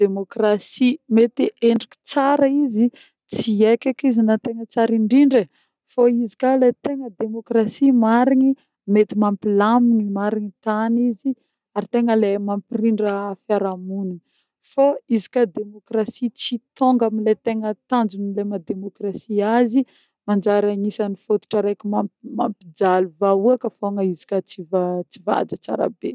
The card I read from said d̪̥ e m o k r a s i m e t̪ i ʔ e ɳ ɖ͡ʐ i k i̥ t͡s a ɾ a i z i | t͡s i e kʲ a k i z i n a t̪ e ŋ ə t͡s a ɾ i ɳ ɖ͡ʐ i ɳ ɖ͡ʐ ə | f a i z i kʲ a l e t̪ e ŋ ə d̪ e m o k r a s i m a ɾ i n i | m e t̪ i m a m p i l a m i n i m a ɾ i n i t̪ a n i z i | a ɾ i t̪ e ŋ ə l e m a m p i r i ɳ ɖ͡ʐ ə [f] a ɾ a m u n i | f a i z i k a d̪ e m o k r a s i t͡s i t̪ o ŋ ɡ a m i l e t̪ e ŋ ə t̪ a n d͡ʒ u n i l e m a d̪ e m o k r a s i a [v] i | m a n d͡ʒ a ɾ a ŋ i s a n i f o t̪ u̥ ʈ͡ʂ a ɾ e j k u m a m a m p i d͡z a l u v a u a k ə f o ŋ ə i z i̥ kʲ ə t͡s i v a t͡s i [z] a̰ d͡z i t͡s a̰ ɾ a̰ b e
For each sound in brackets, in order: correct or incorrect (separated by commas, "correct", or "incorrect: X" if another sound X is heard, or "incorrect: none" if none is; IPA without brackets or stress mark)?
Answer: correct, incorrect: z, incorrect: v